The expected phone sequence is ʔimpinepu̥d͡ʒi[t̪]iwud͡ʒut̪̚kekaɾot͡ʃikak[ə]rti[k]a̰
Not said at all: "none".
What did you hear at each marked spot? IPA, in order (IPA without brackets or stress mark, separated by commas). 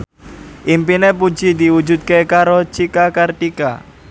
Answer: d̪, a, k